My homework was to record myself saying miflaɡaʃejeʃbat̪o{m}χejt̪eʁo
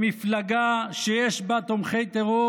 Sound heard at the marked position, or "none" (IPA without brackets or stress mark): m